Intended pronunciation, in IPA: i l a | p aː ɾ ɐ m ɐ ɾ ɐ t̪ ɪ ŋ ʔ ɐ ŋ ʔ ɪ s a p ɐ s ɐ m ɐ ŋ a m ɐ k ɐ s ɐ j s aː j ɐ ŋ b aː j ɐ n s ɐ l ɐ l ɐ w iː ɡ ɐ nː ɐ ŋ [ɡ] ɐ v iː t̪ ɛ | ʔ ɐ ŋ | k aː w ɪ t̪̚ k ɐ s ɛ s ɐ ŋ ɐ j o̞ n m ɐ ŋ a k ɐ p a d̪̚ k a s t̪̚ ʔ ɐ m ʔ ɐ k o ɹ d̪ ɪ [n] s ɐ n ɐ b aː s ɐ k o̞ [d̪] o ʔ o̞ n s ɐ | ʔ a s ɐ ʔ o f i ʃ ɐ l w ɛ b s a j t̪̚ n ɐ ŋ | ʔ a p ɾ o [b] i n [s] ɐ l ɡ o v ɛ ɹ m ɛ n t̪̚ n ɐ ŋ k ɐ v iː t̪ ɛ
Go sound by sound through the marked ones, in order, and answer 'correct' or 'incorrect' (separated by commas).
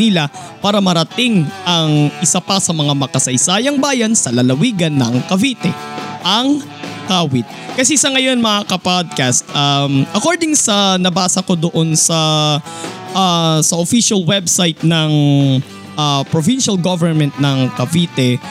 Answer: incorrect, incorrect, correct, incorrect, incorrect